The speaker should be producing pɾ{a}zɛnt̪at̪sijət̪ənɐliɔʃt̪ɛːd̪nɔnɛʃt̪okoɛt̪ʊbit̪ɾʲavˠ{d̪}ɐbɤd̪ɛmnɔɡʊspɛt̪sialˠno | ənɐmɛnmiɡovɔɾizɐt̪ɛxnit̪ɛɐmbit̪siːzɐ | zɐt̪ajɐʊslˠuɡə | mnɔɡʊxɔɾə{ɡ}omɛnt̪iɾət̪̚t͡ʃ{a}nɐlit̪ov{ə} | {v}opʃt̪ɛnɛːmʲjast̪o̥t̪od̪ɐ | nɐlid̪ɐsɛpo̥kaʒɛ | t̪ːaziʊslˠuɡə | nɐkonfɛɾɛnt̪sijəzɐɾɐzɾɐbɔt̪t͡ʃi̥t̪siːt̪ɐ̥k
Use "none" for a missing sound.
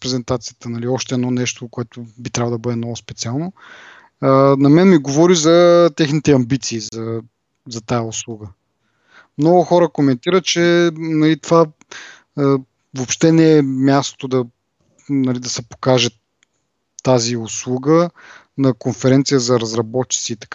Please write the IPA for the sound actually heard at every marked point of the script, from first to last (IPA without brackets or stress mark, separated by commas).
ɛ, d̪, k, ɛ, a, v